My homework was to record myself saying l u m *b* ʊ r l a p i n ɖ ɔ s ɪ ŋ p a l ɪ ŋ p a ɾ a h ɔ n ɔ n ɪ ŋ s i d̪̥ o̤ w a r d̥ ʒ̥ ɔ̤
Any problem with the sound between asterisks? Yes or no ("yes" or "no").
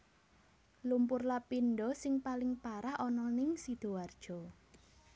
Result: yes